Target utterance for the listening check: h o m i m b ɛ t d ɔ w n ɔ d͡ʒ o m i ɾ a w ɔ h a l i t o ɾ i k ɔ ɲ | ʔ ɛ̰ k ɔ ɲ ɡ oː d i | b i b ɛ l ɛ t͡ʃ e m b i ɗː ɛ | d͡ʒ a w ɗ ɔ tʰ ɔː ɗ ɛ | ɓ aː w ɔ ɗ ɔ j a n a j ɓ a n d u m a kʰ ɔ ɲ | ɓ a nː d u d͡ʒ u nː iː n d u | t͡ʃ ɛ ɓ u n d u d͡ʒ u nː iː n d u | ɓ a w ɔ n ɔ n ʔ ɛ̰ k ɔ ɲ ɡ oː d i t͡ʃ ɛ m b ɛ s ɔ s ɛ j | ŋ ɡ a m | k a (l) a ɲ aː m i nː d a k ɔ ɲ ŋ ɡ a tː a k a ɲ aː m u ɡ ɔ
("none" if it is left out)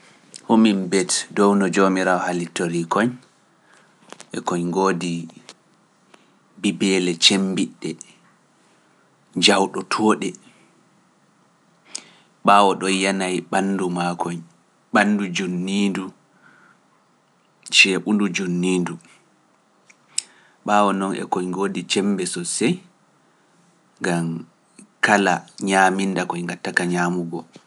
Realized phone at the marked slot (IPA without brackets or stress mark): l